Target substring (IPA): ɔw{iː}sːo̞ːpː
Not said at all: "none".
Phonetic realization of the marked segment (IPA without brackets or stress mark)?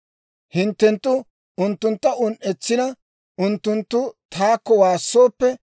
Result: aː